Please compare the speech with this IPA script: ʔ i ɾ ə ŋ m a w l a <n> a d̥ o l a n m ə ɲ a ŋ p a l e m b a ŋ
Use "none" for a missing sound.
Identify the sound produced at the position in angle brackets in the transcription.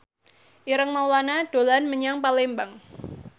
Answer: n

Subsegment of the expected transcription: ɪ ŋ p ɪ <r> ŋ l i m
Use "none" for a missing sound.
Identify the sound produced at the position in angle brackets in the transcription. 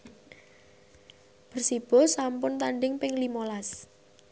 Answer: none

